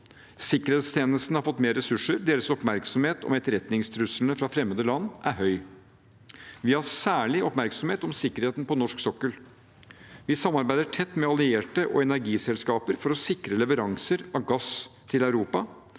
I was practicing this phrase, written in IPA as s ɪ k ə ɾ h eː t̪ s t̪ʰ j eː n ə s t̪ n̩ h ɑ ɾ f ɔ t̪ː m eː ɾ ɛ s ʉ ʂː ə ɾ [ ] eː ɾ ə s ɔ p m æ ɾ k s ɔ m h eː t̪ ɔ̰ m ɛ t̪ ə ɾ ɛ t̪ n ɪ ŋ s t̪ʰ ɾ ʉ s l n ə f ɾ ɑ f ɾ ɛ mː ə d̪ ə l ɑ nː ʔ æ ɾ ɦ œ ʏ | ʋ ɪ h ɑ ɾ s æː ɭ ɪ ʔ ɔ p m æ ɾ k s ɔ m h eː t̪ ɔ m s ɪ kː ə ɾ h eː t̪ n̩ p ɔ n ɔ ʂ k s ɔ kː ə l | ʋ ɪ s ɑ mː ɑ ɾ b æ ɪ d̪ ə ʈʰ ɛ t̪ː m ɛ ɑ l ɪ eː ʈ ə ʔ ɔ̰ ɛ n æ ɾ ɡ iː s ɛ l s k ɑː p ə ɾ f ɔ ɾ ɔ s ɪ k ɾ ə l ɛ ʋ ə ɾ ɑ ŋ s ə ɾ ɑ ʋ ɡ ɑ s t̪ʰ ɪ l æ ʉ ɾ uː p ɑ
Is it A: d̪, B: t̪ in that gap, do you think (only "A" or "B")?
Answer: A